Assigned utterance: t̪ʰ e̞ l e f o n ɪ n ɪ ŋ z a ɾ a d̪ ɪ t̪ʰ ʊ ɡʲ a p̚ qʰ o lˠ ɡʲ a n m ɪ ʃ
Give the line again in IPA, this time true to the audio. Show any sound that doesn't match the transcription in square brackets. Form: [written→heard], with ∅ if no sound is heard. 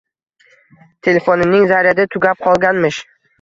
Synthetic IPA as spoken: t̪ʰ e̞ l e f o n ɪ n ɪ ŋ z a ɾ a d̪ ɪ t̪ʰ ʊ ɡʲ a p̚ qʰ [o→ɒ] lˠ ɡʲ a n m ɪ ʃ